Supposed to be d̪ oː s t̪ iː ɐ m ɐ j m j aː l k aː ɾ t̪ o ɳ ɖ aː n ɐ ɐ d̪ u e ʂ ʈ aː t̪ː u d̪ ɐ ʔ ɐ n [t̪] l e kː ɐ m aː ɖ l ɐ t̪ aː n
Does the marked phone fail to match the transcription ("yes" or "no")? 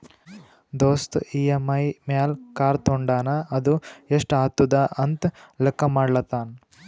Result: no